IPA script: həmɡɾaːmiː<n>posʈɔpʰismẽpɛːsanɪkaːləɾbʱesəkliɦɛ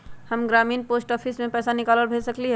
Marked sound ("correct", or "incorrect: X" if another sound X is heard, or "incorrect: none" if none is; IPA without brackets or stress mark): correct